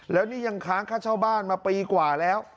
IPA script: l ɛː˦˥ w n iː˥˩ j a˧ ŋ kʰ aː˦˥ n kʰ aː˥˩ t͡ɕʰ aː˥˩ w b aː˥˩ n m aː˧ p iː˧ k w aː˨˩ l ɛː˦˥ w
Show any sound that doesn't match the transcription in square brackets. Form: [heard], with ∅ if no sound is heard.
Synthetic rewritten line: l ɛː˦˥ w n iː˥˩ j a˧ ŋ kʰ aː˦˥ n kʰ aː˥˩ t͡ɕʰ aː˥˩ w b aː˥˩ n m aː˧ p iː˧ k w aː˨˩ l ɛː˦˥ w

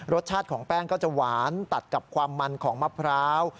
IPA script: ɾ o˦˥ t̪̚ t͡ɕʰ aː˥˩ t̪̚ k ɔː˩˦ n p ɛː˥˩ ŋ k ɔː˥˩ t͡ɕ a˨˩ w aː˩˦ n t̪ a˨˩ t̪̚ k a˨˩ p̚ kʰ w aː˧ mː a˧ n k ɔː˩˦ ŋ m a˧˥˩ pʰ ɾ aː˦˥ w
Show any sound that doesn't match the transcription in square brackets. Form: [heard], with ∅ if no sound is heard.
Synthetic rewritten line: ɾ o˦˥ t̪̚ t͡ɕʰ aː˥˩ t̪̚ [kʰ] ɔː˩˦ [ŋ] p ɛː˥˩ ŋ k ɔː˥˩ t͡ɕ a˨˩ w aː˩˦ n t̪ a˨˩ t̪̚ k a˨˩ p̚ kʰ w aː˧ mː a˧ n [kʰ] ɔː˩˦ ŋ m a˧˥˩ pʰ ɾ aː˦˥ w

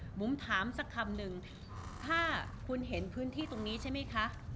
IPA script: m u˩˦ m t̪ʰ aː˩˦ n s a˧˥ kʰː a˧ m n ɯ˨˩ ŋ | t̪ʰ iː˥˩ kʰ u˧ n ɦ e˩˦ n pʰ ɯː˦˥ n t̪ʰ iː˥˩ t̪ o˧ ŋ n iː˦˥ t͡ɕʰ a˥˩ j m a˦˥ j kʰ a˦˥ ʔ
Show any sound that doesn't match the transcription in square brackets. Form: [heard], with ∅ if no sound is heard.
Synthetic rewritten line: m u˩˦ m t̪ʰ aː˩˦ [m] s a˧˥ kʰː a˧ m n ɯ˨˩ ŋ | t̪ʰ [aː˥˩] kʰ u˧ n ɦ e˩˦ n pʰ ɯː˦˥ n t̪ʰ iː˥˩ t̪ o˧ ŋ n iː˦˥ t͡ɕʰ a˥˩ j m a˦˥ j kʰ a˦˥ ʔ

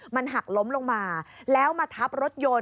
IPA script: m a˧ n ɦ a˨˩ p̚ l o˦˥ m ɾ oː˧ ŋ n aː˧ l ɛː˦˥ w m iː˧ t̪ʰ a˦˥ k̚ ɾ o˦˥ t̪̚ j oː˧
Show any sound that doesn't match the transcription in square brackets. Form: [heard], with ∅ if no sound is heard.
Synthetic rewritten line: m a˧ n ɦ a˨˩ [k̚] l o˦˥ m [l] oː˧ ŋ [m] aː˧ l ɛː˦˥ w m [aː˧] t̪ʰ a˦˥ [p̚] ɾ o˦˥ t̪̚ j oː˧

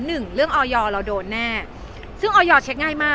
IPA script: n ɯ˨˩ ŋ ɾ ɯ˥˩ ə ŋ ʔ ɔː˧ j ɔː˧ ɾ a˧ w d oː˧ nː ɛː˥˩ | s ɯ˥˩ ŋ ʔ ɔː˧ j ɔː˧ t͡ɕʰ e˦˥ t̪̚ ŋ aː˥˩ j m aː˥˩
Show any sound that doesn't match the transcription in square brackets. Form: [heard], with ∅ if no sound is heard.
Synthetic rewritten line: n ɯ˨˩ ŋ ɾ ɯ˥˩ ə ŋ ʔ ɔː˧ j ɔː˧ ɾ a˧ w d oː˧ nː ɛː˥˩ | s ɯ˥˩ ŋ ʔ ɔː˧ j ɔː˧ t͡ɕʰ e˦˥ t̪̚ ŋ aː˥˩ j m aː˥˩

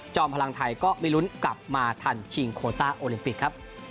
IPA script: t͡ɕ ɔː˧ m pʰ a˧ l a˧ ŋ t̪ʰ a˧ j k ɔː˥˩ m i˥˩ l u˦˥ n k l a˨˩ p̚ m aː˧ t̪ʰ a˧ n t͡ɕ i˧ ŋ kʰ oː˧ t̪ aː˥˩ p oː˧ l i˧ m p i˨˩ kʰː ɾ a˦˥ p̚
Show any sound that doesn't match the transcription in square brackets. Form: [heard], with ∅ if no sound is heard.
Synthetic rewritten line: t͡ɕ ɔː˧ m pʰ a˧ l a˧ ŋ t̪ʰ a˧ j k ɔː˥˩ m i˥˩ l u˦˥ n k l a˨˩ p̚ m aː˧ t̪ʰ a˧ n [t͡ɕʰ] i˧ ŋ kʰ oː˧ t̪ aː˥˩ [ʔ] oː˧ l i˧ m p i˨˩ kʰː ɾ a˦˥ p̚

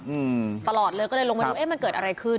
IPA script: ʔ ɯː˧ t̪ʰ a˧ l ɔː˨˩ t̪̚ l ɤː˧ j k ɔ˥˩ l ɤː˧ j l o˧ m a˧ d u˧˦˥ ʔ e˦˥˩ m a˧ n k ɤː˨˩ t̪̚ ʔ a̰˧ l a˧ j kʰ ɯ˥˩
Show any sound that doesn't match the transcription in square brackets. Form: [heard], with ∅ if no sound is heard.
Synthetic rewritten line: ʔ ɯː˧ [t̪] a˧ l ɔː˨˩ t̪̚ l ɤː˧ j k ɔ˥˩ l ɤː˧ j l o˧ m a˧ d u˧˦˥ ʔ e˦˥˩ m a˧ n k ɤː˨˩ t̪̚ ʔ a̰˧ [ɾ] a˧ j kʰ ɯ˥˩

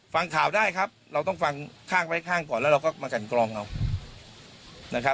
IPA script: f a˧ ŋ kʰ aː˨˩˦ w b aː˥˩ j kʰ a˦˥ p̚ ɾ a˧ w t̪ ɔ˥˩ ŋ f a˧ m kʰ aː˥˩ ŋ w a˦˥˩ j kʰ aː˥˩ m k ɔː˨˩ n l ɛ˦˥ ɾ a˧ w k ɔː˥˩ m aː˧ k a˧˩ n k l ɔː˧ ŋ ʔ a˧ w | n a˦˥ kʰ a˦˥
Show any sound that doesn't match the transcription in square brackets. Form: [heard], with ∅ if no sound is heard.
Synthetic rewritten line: f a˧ ŋ kʰ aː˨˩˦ w [d] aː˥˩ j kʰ a˦˥ p̚ ɾ a˧ w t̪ ɔ˥˩ ŋ f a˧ [ŋ] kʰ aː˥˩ ŋ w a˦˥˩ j kʰ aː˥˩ [ŋ] k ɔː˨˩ n l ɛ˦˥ ɾ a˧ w k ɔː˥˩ m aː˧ k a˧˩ n k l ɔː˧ ŋ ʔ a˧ w | n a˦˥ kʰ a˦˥

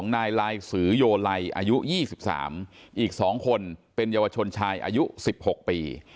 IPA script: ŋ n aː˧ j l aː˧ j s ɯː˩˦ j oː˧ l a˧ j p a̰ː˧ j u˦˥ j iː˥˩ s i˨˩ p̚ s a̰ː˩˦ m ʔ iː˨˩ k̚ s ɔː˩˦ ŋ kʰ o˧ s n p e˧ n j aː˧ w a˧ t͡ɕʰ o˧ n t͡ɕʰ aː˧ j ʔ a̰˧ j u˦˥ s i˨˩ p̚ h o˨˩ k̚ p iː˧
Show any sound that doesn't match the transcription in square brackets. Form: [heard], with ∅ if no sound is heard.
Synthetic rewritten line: ŋ n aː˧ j l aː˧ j s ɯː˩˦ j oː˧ l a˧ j [ʔ] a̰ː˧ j u˦˥ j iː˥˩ s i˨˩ p̚ s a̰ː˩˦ m ʔ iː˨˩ k̚ s ɔː˩˦ ŋ kʰ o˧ [∅] n p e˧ n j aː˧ w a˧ t͡ɕʰ o˧ n t͡ɕʰ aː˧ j ʔ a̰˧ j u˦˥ s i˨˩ p̚ h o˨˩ k̚ p iː˧

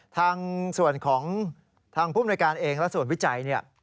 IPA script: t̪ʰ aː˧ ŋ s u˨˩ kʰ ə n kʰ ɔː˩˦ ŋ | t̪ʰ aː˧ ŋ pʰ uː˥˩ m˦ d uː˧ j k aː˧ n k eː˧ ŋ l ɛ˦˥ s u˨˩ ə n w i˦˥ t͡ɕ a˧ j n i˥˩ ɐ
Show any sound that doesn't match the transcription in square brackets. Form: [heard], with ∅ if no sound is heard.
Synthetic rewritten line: t̪ʰ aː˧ ŋ s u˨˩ [∅] ə n kʰ ɔː˩˦ ŋ | t̪ʰ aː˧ ŋ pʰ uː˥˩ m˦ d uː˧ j k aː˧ n [ʔ] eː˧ ŋ l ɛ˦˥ s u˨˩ ə n w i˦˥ t͡ɕ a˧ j n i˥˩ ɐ

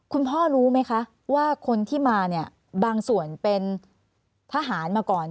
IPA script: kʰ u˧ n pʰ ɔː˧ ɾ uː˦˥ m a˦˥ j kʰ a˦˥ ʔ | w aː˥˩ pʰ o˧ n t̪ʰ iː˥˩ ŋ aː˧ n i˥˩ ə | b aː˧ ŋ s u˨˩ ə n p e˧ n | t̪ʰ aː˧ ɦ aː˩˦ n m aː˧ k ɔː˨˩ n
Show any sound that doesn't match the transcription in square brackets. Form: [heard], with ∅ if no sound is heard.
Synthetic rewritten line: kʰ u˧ n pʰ [ɔː˥˩] ɾ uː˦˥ m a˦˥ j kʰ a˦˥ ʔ | w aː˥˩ [kʰ] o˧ n t̪ʰ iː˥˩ [m] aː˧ n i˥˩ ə | b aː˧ ŋ s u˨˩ ə n p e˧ n | t̪ʰ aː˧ ɦ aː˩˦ n m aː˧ k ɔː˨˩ n

